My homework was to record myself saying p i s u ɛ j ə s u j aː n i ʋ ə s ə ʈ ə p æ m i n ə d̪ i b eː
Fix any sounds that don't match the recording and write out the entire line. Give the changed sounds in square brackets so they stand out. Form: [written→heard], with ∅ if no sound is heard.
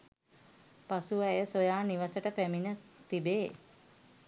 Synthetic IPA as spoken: p [i→a] s u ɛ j ə s [u→o] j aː n i ʋ ə s ə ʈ ə p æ m i n ə [d̪→t̪] i b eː